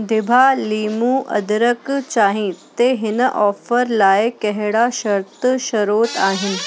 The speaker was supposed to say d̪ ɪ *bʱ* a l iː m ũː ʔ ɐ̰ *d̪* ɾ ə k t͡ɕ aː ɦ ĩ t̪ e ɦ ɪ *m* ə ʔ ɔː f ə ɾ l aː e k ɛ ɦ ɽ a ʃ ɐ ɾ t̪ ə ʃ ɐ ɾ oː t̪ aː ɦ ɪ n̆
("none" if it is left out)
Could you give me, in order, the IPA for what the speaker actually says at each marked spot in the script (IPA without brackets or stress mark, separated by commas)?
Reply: bʱ, d̪, n